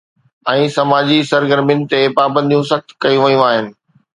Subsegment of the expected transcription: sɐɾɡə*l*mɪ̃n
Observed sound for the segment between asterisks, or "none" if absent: ɾ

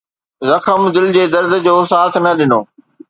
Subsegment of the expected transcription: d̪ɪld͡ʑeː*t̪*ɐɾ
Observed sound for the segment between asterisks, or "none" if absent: d̪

